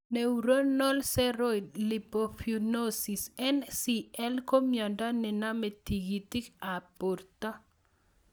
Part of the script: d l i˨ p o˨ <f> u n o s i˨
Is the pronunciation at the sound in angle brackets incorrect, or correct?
correct